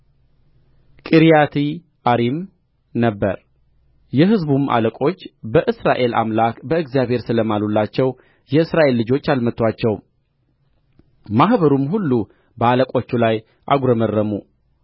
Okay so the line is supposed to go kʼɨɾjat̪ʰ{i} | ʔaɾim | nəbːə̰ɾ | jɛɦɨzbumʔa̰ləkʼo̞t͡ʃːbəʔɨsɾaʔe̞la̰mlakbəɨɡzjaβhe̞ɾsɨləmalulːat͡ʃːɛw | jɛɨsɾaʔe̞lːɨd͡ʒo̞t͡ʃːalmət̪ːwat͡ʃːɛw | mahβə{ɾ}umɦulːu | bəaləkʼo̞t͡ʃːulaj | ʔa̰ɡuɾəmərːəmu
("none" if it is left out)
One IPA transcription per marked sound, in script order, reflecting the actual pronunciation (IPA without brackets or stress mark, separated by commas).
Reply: i, ɾ